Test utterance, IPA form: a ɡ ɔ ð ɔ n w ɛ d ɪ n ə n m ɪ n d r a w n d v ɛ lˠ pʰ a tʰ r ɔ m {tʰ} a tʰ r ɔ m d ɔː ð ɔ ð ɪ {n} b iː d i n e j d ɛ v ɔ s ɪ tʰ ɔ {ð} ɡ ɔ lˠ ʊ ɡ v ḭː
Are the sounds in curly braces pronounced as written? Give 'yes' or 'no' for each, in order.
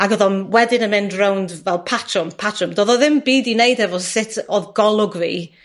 no, no, yes

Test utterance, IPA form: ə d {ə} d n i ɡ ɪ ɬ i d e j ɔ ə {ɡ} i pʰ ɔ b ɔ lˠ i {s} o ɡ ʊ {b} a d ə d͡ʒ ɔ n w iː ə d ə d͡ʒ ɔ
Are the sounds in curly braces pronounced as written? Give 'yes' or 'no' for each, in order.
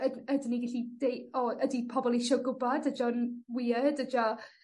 yes, no, no, yes

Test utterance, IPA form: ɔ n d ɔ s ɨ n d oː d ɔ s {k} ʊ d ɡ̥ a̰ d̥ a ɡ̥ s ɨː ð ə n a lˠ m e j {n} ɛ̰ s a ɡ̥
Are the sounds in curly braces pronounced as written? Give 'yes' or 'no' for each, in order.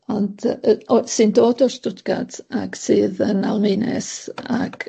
no, yes

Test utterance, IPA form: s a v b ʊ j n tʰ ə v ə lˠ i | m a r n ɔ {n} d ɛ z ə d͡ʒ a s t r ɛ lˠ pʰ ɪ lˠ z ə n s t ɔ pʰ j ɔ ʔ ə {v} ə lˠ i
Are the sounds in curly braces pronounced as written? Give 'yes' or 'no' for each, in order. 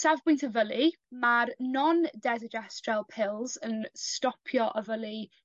yes, yes

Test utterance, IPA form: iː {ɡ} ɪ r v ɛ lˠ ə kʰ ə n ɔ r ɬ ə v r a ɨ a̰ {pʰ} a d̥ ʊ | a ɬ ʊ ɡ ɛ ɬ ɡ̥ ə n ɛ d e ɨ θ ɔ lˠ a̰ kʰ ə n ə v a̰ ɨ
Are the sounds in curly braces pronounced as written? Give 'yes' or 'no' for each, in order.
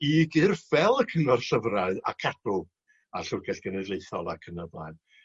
yes, no

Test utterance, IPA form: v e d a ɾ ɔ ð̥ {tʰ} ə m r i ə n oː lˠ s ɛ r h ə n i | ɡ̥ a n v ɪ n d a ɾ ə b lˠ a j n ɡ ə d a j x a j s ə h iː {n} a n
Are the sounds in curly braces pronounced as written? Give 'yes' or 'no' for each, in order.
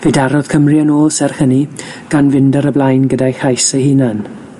no, yes

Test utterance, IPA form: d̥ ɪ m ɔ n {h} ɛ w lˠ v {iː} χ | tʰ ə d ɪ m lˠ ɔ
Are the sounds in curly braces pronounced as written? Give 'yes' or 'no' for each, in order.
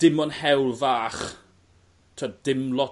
yes, no

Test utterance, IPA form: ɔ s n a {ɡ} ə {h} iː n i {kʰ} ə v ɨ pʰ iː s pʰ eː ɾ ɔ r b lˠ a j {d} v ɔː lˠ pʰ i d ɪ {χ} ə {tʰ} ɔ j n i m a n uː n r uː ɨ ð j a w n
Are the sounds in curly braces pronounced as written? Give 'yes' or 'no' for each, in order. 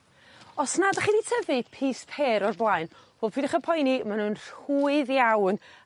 no, no, no, no, yes, no

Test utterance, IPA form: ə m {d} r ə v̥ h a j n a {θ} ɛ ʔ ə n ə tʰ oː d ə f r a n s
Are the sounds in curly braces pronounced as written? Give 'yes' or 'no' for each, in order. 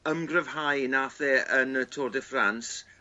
no, yes

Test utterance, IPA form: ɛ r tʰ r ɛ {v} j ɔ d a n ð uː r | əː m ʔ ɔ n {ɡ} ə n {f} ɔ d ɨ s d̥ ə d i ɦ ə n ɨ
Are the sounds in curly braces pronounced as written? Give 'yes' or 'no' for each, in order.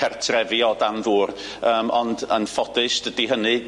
yes, no, yes

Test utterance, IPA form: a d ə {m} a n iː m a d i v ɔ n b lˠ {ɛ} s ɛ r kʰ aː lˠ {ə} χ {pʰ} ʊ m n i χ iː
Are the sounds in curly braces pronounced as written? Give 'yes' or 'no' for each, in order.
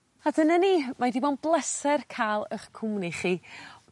no, yes, yes, no

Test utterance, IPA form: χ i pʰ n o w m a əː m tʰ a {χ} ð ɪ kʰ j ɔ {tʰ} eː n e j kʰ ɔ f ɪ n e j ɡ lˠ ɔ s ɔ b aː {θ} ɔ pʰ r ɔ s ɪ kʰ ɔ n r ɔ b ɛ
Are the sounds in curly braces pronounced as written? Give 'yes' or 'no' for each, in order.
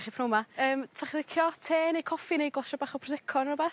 yes, yes, no

